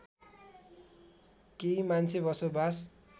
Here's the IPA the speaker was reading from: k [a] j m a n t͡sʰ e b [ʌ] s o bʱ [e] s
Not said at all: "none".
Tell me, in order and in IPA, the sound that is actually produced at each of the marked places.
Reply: e, ʌ, a

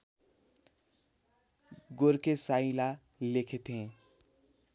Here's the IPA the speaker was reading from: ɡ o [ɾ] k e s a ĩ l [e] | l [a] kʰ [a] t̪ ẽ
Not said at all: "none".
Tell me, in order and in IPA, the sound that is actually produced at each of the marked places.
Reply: ɾ, a, e, e

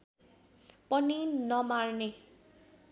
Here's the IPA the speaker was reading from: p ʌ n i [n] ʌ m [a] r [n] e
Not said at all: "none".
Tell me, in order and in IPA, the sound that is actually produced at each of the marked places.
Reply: n, a, n

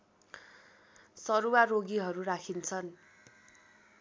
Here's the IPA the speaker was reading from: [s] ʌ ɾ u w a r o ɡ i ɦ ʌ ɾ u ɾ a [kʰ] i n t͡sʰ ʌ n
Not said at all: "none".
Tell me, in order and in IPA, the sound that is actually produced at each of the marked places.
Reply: s, kʰ

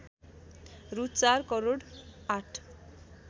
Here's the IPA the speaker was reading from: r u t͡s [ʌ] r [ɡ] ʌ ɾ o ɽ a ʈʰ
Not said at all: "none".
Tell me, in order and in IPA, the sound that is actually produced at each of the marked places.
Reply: a, k

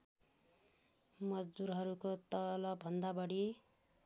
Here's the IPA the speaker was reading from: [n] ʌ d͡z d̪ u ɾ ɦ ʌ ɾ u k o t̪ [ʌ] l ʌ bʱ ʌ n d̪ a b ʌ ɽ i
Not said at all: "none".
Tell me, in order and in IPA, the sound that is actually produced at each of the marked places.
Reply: m, ʌ

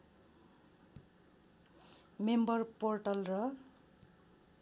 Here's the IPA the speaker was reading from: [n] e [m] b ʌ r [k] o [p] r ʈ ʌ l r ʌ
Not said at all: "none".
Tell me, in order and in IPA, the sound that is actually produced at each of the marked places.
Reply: m, m, p, none

